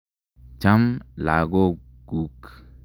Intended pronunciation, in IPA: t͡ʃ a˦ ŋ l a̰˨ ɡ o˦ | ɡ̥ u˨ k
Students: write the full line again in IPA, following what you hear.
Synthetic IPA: t͡ʃ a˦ m l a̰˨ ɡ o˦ | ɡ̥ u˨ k